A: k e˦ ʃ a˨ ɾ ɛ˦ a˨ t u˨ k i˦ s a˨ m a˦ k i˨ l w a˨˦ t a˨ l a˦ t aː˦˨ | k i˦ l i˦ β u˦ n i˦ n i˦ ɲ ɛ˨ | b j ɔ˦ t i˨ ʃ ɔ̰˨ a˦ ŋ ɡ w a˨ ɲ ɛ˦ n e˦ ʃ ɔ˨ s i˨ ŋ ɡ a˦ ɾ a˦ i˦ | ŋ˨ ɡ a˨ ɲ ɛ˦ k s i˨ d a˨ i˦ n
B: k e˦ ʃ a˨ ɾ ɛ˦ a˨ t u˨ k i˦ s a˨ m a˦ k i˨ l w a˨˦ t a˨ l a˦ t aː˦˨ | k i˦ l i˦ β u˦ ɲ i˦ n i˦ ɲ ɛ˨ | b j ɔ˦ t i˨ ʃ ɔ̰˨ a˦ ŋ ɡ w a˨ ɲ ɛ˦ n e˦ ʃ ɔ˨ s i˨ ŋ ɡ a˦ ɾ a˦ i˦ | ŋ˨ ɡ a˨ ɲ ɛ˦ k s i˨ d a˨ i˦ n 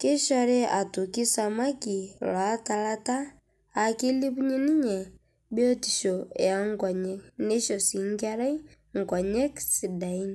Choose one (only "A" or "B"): B